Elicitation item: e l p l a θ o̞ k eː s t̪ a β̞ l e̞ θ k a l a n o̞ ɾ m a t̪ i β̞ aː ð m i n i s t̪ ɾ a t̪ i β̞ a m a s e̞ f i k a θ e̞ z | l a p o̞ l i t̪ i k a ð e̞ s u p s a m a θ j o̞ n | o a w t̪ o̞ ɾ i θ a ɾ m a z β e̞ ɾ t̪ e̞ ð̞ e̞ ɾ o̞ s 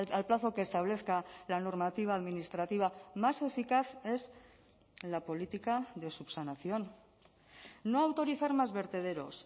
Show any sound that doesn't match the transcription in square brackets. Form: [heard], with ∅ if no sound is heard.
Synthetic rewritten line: [a] l p l a θ o̞ k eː s t̪ a β̞ l e̞ θ k a l a n o̞ ɾ m a t̪ i β̞ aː ð m i n i s t̪ ɾ a t̪ i β̞ a m a s e̞ f i k a θ e̞ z | l a p o̞ l i t̪ i k a ð e̞ s u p s a [n] a θ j o̞ n | o a w t̪ o̞ ɾ i θ a ɾ m a z β e̞ ɾ t̪ e̞ ð̞ e̞ ɾ o̞ s